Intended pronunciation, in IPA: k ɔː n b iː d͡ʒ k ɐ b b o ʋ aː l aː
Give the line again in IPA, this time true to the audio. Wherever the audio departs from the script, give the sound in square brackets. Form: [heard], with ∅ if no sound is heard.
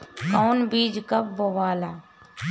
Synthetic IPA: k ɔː n b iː d͡ʒ k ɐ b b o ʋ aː l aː